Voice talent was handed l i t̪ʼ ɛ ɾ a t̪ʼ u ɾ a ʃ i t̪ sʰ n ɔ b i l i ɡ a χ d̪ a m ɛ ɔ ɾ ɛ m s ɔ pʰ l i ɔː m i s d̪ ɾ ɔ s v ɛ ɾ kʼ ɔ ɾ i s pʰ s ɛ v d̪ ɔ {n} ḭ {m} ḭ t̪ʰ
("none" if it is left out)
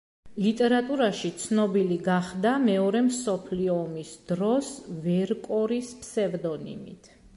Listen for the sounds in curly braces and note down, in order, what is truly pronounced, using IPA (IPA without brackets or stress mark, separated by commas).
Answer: n, m